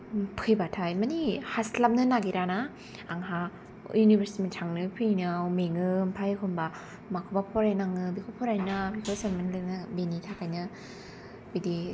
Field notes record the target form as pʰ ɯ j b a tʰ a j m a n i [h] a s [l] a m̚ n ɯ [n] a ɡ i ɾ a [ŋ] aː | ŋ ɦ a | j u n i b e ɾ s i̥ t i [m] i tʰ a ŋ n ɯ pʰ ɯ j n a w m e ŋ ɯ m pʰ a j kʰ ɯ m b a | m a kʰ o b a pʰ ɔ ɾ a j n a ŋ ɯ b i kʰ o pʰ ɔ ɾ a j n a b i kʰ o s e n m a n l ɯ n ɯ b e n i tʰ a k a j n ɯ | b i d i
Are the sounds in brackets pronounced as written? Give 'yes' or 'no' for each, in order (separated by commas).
yes, yes, yes, no, yes